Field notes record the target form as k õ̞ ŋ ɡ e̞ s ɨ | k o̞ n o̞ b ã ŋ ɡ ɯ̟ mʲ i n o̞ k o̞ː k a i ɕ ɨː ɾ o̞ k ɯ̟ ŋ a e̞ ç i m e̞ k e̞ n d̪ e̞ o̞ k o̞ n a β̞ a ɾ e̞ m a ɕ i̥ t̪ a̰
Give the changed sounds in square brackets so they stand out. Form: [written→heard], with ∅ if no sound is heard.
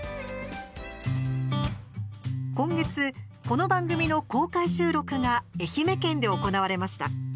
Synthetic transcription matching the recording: k õ̞ ŋ ɡ e̞ [s→t͡s] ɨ | k o̞ n o̞ b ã ŋ ɡ ɯ̟ mʲ i n o̞ k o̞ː k a i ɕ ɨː ɾ o̞ k ɯ̟ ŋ a e̞ ç i m e̞ k [e̞→ẽ̞] n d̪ e̞ o̞ k o̞ n a β̞ a ɾ e̞ m a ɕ i̥ t̪ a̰